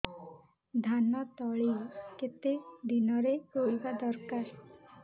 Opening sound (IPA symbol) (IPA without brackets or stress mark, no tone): d̪ʱ